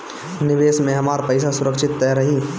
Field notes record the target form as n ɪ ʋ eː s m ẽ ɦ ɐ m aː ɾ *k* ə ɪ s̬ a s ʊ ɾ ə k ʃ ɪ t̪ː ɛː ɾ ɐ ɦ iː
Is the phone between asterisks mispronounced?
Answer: yes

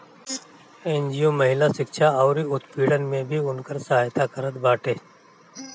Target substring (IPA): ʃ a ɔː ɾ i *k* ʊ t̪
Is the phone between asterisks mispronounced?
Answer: yes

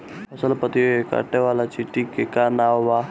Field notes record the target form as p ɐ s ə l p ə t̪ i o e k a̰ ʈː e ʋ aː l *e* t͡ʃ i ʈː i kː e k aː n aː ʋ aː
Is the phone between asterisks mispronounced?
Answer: yes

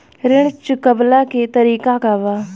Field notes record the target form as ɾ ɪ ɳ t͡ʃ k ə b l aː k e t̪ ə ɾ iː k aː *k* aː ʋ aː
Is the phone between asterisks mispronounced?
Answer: no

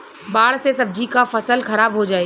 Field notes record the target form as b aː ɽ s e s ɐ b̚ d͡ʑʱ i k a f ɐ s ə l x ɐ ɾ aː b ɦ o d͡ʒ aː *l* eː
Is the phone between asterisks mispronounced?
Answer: yes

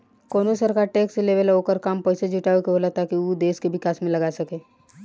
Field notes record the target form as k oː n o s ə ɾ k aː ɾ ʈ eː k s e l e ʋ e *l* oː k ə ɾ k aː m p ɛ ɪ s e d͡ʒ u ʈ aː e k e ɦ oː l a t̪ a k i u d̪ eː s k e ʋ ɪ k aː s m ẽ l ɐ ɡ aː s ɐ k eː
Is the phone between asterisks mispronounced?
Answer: no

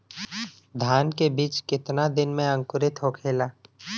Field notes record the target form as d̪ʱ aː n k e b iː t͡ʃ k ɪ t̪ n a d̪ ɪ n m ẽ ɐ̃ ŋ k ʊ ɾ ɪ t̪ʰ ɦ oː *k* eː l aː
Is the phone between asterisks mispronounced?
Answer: yes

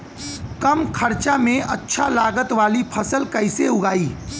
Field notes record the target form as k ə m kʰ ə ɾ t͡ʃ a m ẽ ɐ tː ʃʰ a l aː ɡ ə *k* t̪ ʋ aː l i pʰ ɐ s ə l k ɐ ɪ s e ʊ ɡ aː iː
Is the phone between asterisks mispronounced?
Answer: yes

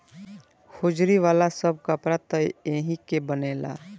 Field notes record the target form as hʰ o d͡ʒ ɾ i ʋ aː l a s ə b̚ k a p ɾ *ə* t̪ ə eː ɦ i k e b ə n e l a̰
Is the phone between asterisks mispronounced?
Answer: yes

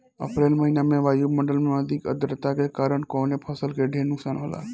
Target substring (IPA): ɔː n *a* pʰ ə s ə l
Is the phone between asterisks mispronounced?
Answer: yes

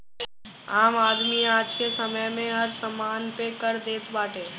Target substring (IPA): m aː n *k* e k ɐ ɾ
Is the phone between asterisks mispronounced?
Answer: yes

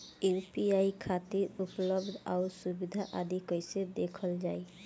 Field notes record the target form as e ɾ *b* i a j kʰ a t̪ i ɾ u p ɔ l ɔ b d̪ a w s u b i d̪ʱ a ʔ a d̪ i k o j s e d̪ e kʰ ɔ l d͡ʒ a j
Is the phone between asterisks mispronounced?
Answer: yes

